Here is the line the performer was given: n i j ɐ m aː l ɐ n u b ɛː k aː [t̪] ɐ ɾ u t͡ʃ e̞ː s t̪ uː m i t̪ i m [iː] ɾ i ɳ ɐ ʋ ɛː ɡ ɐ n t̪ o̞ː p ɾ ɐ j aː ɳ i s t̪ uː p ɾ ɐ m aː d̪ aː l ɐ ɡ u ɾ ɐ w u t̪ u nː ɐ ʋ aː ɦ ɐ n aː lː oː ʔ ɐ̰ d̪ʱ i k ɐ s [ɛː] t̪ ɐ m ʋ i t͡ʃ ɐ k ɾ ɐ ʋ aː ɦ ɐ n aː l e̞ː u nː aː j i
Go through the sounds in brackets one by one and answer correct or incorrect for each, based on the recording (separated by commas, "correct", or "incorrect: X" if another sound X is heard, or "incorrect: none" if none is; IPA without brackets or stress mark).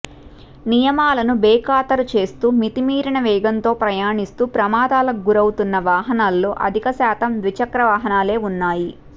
correct, correct, incorrect: aː